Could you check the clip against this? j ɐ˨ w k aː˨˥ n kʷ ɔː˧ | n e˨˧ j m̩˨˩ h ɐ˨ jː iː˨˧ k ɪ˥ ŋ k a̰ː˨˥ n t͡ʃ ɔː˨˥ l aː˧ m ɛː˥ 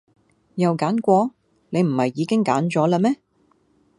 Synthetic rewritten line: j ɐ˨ w k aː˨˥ n kʷ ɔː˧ | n e˨˧ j m̩˨˩ h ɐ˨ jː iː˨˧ k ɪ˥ ŋ k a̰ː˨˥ n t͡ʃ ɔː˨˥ l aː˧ m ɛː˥